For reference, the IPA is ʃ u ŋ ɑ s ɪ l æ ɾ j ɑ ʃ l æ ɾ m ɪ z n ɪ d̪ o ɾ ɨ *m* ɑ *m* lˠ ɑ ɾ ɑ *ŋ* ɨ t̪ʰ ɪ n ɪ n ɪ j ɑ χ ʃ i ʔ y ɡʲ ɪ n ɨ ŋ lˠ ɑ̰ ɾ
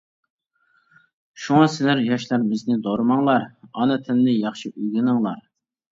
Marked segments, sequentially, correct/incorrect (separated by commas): correct, incorrect, incorrect